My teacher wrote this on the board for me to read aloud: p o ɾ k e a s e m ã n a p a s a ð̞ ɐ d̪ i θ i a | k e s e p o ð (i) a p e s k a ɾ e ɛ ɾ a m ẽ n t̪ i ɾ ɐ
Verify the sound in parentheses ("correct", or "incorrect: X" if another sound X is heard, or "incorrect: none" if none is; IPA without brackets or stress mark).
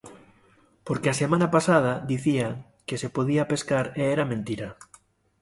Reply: correct